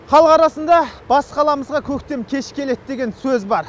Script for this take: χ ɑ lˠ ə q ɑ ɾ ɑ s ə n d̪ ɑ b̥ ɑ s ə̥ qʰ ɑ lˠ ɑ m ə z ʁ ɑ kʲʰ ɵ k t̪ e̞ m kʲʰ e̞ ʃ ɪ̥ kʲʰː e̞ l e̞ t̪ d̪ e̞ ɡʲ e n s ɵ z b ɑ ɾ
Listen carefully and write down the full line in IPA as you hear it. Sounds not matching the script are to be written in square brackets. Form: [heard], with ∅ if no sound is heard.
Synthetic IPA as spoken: χ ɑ lˠ ə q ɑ ɾ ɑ s ə n d̪ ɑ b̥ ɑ s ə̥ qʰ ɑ lˠ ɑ m ə z ʁ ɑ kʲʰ ɵ k t̪ e̞ m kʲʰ e̞ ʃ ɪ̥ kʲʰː e̞ l e̞ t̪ d̪ e̞ ɡʲ e n s ɵ z b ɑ ɾ